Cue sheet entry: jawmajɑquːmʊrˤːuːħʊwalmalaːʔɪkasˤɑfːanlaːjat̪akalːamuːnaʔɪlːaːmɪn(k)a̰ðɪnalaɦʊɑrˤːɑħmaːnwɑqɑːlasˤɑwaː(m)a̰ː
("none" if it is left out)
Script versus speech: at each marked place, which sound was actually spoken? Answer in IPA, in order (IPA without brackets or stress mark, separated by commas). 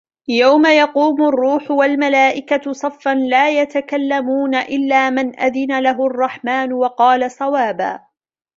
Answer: ʔ, b